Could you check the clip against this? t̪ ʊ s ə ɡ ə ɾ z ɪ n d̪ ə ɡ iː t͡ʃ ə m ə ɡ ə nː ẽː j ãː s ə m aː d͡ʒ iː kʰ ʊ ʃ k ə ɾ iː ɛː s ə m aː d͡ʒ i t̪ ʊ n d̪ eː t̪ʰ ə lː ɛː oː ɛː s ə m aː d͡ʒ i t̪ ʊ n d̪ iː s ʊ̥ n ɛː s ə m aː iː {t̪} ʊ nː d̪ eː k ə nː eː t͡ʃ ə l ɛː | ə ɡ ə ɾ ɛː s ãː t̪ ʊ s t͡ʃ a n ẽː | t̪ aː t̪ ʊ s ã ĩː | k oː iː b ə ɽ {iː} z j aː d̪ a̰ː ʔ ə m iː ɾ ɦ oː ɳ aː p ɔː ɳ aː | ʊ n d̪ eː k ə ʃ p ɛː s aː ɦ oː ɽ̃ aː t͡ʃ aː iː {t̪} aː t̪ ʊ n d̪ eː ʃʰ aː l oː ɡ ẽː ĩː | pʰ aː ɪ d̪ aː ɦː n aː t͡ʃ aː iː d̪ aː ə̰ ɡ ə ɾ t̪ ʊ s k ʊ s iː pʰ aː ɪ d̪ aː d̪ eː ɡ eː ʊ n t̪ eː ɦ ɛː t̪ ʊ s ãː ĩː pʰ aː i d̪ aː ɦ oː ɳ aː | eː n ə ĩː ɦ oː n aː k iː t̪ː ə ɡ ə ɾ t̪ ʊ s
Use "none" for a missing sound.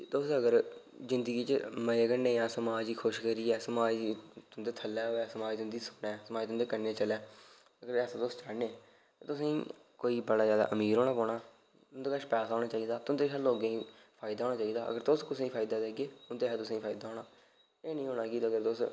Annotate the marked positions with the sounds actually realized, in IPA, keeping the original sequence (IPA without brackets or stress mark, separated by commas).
t̪, aː, d̪